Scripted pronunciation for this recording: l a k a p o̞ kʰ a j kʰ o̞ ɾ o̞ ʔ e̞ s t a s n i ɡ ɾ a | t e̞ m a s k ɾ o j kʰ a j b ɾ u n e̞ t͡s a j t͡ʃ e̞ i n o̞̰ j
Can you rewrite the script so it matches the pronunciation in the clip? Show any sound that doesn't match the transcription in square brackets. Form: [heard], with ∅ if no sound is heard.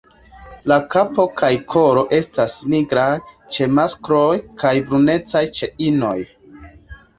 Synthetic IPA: l a k a p o̞ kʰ a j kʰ o̞ ɾ o̞ ʔ e̞ s t a s n i ɡ ɾ a | [t͡ʃ] e̞ m a s k ɾ o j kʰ a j b ɾ u n e̞ t͡s a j t͡ʃ e̞ i n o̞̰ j